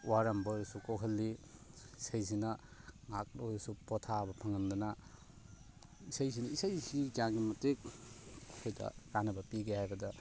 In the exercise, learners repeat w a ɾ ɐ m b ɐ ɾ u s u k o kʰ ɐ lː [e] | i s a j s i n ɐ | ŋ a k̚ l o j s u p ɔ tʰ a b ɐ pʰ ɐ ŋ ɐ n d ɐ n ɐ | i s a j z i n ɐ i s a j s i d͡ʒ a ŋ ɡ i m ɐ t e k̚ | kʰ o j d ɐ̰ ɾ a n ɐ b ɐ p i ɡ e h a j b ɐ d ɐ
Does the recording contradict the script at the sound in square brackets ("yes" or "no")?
yes